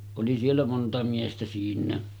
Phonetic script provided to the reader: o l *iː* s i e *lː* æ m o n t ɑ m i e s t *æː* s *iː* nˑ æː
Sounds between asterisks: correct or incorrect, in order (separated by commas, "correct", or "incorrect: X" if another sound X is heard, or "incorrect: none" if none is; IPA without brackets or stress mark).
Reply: incorrect: i, correct, incorrect: æ, correct